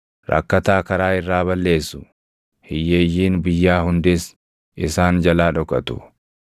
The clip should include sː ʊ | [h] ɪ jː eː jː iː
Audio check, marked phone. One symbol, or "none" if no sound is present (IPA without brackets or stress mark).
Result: h